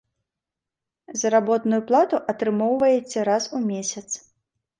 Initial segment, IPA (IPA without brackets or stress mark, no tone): z